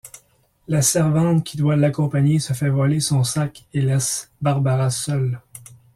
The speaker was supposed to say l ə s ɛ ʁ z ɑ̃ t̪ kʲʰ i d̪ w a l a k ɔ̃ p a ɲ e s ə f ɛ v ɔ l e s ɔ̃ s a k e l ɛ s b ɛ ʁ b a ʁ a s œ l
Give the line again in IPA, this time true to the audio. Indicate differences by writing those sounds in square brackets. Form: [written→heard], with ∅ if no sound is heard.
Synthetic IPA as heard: l [ə→a] s ɛ ʁ [z→v] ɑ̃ t̪ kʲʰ i d̪ w a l a k ɔ̃ p a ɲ e s ə f ɛ v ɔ l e s ɔ̃ s a k e l ɛ s b [ɛ→a] ʁ b a ʁ a s œ l